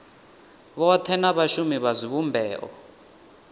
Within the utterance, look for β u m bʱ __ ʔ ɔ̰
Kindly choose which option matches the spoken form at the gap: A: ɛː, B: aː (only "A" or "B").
A